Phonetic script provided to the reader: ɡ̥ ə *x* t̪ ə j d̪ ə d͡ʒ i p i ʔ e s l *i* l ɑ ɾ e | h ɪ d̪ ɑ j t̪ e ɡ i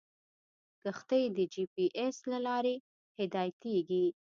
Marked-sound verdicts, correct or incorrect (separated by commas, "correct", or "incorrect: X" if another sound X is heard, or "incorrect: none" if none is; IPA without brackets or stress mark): correct, incorrect: a